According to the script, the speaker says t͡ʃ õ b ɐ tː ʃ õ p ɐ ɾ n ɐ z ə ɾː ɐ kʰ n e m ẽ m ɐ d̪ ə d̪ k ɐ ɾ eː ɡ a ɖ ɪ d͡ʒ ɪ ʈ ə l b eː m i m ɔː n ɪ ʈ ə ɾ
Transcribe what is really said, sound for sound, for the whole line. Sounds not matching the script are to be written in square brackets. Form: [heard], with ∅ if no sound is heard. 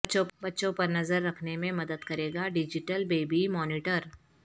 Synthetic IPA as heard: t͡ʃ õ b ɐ tː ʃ õ p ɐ ɾ n ɐ z ə ɾː ɐ kʰ n e m ẽ m ɐ d̪ ə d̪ k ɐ ɾ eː ɡ a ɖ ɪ d͡ʒ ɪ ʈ ə l b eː [b] i m ɔː n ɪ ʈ ə ɾ